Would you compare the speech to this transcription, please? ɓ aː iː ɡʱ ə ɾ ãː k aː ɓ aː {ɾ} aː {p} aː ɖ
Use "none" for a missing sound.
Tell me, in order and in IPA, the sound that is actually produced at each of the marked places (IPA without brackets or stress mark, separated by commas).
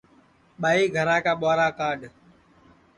ɾ, k